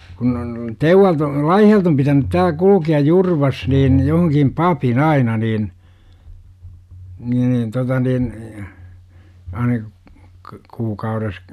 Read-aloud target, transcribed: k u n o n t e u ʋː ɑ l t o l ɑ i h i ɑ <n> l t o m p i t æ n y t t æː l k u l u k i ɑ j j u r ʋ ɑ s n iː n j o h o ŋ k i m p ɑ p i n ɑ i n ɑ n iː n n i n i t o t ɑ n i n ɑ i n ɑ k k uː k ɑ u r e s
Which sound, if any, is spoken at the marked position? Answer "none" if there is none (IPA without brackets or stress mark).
none